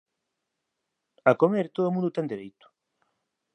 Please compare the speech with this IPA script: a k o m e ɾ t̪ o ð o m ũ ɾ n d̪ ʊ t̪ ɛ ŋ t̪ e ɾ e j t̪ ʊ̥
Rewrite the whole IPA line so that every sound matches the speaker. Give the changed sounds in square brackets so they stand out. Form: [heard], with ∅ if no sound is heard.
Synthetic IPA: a k o m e ɾ t̪ o ð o m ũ [∅] n d̪ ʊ t̪ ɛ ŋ [d̪] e ɾ e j t̪ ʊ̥